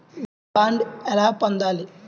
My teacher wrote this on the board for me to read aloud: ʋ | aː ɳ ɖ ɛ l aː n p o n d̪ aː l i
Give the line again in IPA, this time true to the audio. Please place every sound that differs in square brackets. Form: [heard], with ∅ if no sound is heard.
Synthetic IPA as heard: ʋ | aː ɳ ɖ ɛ l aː [∅] p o n d̪ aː l i